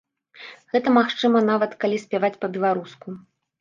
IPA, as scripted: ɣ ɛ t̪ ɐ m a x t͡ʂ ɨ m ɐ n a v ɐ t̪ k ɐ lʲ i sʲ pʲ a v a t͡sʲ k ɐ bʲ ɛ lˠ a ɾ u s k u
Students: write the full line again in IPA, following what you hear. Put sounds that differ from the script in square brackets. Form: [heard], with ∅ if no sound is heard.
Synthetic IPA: ɣ ɛ t̪ ɐ m a x t͡ʂ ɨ m ɐ n a v ɐ t̪ k [a] lʲ i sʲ pʲ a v a t͡sʲ [p] ɐ bʲ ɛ lˠ a ɾ u s k u